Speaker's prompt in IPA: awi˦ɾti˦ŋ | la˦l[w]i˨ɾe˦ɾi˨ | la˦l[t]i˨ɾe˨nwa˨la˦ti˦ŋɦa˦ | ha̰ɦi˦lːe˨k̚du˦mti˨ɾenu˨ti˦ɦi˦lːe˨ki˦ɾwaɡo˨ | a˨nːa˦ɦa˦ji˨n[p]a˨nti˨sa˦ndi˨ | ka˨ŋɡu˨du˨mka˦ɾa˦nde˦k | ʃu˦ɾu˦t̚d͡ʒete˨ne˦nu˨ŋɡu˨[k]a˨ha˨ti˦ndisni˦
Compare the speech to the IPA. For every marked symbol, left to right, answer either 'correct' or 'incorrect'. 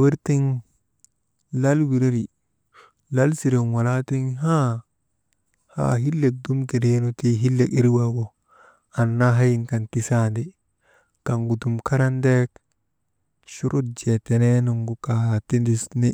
correct, incorrect, incorrect, correct

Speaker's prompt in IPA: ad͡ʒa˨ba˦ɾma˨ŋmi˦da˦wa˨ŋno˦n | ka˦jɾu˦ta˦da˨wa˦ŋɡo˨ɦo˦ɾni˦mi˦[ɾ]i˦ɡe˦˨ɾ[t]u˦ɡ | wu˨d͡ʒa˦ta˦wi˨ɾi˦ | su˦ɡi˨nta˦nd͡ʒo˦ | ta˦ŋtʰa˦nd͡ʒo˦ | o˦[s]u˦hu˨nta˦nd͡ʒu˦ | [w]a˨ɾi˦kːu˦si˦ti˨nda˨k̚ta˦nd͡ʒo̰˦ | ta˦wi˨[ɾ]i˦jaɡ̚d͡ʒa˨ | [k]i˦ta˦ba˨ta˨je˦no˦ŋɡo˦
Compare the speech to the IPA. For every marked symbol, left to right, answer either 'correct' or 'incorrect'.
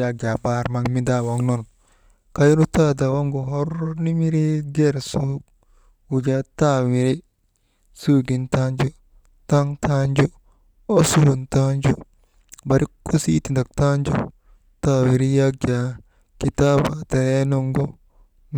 correct, incorrect, correct, incorrect, correct, correct

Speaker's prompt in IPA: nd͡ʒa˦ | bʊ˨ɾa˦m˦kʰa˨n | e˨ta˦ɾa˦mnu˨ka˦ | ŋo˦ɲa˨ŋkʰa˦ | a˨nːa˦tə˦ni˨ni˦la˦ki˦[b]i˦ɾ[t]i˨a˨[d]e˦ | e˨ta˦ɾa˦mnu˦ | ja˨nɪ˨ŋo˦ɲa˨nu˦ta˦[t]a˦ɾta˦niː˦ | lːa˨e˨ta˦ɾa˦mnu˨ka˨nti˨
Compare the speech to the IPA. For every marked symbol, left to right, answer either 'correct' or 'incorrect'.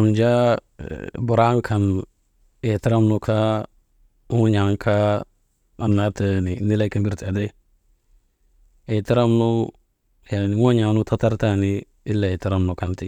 correct, correct, correct, correct

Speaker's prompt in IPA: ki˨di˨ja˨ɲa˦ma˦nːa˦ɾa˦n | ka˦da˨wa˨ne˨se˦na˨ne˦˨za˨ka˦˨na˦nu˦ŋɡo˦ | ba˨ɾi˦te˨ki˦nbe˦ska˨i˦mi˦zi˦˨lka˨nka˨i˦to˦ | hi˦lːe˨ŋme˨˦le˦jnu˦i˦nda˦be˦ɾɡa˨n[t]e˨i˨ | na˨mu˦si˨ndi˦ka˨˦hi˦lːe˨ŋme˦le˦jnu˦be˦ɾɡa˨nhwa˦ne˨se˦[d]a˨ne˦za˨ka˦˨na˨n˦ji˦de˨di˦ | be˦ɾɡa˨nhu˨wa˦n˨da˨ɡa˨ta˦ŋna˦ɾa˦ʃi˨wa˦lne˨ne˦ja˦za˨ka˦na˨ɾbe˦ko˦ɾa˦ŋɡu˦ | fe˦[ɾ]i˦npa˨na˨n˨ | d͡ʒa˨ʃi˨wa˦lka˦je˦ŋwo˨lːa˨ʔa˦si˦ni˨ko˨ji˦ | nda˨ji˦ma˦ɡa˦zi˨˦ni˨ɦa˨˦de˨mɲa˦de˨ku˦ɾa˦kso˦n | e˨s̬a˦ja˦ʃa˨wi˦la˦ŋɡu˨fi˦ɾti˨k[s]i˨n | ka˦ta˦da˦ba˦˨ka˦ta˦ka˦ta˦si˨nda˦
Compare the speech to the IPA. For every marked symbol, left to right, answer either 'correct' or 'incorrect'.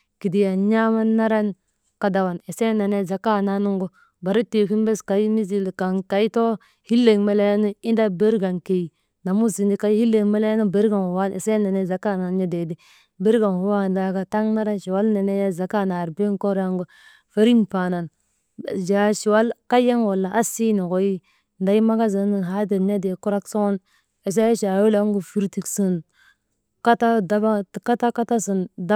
incorrect, incorrect, correct, correct

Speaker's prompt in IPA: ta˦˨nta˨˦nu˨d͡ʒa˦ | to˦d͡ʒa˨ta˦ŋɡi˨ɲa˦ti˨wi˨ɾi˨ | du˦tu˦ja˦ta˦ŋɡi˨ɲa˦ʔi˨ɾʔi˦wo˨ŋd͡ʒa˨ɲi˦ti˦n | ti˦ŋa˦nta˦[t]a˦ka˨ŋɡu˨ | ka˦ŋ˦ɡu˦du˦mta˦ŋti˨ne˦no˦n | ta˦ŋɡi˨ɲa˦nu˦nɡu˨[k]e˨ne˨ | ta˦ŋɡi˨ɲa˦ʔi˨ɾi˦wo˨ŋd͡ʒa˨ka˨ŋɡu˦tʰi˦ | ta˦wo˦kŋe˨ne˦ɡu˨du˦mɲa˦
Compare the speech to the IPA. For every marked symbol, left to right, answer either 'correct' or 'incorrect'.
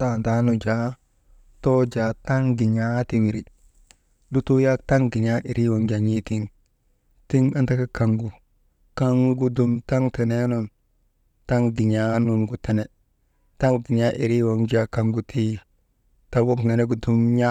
incorrect, incorrect

